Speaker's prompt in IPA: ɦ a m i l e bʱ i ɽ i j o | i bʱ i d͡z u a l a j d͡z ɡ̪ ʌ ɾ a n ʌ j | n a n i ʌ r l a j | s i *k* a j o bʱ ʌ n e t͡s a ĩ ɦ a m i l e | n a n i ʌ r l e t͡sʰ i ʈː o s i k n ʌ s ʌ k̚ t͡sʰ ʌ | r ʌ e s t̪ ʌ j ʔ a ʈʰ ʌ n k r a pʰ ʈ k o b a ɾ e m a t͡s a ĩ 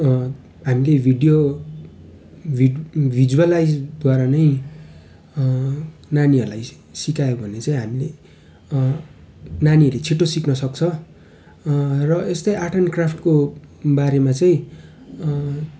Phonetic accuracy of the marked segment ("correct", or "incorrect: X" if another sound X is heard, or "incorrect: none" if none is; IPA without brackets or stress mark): correct